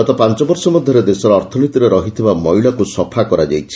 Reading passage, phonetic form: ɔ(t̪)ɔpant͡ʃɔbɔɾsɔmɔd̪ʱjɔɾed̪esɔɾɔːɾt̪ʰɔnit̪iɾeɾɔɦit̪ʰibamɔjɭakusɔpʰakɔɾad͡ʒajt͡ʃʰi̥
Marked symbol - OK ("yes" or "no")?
yes